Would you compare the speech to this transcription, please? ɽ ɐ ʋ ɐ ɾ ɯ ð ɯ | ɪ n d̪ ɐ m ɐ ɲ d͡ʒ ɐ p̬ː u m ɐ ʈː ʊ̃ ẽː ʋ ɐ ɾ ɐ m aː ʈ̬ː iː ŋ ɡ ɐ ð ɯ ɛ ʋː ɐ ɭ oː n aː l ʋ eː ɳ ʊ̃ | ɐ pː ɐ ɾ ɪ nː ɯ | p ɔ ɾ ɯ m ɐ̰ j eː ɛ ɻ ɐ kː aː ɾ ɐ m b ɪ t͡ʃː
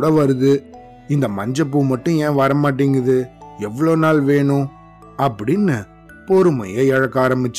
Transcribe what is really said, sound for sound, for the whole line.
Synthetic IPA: ɽ ɐ ʋ ɐ ɾ ɯ ð ɯ | ɪ n d̪ ɐ m ɐ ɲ d͡ʒ ɐ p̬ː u m ɐ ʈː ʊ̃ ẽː ʋ ɐ ɾ ɐ m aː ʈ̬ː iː ŋ ɡ ɐ ð ɯ ɛ ʋː ɐ ɭ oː n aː l ʋ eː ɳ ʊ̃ | ɐ pː ɐ ɽ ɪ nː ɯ | p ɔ ɾ ɯ m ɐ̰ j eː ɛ ɻ ɐ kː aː ɾ ɐ m b ɪ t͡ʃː